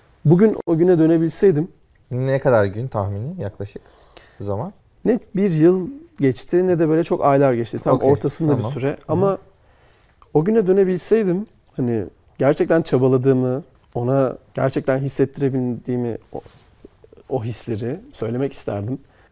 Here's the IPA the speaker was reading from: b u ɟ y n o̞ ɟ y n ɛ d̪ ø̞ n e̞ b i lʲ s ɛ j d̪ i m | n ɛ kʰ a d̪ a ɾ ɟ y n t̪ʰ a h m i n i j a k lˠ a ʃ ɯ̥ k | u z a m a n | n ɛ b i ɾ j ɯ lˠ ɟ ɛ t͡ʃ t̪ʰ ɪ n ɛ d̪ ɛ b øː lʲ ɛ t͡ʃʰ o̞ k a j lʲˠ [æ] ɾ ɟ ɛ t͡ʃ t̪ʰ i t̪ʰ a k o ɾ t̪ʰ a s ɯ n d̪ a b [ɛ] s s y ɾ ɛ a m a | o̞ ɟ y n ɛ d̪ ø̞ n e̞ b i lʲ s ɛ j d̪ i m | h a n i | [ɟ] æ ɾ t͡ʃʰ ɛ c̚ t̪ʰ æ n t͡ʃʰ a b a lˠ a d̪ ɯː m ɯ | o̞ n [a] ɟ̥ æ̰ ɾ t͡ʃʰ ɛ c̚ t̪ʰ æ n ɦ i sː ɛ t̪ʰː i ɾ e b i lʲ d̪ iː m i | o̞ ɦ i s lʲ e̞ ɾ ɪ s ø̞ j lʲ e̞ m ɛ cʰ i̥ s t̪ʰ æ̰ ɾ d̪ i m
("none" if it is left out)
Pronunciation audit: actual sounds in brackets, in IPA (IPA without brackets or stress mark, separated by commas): a, i, ɟ, a